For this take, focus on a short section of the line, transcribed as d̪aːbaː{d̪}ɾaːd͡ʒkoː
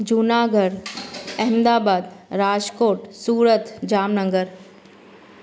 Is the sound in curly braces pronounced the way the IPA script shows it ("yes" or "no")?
yes